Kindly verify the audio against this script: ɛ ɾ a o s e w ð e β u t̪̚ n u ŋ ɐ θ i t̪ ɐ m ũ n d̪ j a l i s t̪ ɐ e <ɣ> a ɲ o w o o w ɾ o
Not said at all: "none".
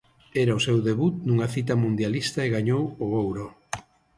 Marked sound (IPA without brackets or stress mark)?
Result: ɣ